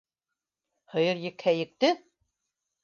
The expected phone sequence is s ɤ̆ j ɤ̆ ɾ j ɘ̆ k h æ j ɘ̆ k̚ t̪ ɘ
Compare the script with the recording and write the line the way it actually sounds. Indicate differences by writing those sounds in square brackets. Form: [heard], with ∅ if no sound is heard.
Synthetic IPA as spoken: [h] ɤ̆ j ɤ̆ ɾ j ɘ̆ k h æ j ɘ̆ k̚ t̪ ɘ